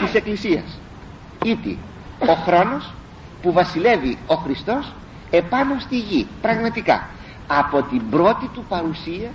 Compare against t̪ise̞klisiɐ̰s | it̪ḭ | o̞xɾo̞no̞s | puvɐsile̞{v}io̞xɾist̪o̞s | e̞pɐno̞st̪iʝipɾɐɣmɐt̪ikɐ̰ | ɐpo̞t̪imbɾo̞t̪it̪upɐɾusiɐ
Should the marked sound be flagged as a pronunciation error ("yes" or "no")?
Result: no